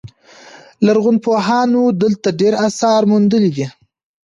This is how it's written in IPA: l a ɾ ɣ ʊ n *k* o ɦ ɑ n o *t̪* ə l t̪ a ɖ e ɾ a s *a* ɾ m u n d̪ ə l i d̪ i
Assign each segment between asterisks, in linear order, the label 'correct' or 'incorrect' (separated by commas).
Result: incorrect, incorrect, incorrect